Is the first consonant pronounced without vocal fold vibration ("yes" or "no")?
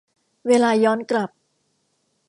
no